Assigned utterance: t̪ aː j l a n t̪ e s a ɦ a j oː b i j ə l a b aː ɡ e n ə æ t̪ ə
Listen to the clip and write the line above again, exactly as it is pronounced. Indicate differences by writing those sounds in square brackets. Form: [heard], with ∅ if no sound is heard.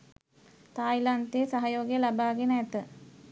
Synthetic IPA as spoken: t̪ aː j l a n t̪ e s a ɦ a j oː [ɡ] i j ə l a b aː ɡ e n ə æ t̪ ə